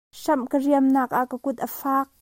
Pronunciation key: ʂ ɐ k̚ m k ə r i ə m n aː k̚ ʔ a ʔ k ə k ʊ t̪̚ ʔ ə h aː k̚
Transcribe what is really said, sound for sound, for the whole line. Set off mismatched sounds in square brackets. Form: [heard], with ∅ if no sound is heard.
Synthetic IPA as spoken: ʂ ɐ [∅] m k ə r i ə m n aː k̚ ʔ a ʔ k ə k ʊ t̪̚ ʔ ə [f] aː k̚